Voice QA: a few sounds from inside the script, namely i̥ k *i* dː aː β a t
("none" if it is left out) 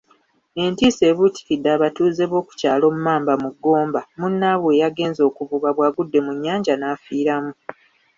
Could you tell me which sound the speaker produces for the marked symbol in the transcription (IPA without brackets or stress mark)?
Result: i